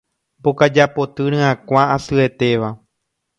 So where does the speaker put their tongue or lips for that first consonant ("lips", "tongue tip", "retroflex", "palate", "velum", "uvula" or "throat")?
lips